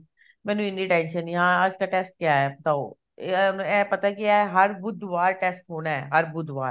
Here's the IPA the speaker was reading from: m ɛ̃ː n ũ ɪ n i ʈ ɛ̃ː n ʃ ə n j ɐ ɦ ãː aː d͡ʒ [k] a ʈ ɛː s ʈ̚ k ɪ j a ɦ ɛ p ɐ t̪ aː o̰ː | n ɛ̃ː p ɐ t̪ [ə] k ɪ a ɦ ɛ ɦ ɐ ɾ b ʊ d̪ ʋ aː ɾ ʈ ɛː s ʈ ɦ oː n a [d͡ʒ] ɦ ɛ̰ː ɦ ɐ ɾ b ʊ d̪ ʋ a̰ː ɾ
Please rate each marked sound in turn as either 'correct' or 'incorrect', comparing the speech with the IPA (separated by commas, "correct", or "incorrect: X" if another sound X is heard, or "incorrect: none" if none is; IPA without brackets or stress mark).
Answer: correct, incorrect: a, incorrect: none